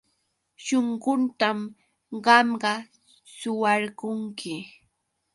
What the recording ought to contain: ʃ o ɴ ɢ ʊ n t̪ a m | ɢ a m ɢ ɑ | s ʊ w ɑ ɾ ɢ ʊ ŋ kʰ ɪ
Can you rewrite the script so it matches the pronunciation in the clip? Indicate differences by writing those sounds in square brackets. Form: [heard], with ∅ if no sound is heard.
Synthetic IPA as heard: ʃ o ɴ ɢ ʊ n t̪ a m | ɢ [ɑ] m ɢ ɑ | s ʊ w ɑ ɾ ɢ ʊ ŋ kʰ ɪ